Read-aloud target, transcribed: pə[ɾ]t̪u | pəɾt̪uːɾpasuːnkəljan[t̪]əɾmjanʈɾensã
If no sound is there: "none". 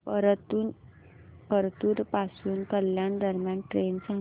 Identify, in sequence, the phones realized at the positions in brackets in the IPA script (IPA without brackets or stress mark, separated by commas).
ɾ, d̪